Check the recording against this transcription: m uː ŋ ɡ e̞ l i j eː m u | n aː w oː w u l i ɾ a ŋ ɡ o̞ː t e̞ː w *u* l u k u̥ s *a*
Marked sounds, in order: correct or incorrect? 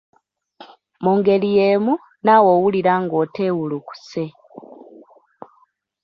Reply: correct, incorrect: e

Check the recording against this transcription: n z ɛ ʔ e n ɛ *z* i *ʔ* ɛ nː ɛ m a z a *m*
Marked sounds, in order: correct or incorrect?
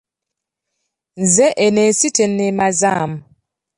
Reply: incorrect: s, incorrect: t, correct

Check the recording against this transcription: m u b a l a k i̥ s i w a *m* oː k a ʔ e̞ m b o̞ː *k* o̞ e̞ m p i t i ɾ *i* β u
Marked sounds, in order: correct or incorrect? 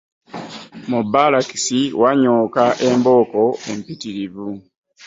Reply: incorrect: ɲ, correct, correct

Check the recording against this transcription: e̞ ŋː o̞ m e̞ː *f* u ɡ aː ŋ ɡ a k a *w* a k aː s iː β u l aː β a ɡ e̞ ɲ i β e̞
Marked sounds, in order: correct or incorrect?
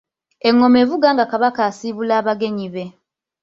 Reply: incorrect: v, incorrect: β

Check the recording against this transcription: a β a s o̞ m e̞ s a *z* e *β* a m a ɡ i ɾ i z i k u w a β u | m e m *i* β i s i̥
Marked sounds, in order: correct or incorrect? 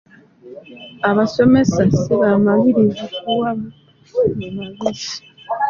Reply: incorrect: s, correct, incorrect: a

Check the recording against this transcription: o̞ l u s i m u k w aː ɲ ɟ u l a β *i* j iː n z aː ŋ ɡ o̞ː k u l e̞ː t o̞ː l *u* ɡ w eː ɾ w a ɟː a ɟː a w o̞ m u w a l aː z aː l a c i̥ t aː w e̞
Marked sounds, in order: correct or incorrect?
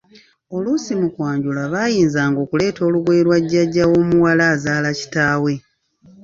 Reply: incorrect: a, correct

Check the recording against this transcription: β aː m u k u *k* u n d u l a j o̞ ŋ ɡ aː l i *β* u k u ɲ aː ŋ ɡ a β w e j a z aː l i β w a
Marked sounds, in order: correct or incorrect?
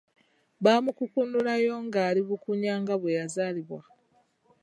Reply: correct, correct

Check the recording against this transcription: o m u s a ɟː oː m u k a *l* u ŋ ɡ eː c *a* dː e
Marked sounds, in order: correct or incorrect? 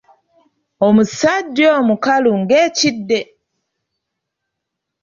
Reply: correct, incorrect: i

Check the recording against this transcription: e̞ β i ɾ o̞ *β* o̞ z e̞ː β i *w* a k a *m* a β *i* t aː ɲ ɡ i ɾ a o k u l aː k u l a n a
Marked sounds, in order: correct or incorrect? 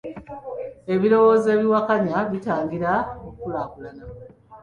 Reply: incorrect: w, correct, incorrect: ɲ, correct

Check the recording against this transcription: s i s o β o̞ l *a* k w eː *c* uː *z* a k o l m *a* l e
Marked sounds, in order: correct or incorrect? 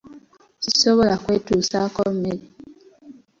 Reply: correct, incorrect: t, incorrect: s, incorrect: e

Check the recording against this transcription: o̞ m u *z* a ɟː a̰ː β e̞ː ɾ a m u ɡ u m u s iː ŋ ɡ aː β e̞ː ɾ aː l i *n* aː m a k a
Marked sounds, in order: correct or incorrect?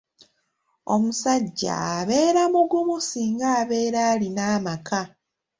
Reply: incorrect: s, correct

